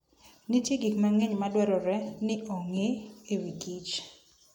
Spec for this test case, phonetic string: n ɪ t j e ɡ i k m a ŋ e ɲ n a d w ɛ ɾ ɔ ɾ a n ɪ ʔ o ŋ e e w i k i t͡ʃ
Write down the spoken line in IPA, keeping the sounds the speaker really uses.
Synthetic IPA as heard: n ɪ t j e ɡ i k m a ŋ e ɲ m a d w ɛ ɾ ɔ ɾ ɛ n ɪ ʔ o ŋ e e w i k i t͡ʃ